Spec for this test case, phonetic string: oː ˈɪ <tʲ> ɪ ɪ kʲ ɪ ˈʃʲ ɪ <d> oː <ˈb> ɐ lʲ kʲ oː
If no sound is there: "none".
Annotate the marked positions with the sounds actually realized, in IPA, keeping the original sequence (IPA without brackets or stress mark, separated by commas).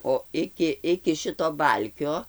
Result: kʲ, t, b